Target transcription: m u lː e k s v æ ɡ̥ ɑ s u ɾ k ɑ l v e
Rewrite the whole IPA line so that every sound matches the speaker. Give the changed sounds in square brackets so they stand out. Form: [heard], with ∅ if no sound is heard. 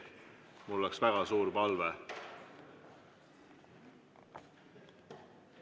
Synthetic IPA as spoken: m u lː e k s v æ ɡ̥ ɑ s [uː] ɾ [p] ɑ l v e